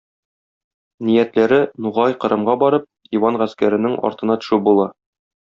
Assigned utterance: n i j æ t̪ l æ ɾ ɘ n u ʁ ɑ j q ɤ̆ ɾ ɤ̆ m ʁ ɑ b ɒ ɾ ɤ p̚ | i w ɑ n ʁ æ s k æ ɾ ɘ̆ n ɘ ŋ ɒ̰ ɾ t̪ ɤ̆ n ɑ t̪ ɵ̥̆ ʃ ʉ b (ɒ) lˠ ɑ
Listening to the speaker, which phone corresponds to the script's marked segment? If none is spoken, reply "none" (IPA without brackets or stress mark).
u